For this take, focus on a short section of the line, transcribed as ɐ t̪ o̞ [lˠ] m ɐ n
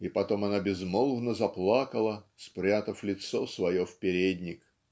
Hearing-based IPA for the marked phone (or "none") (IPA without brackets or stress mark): none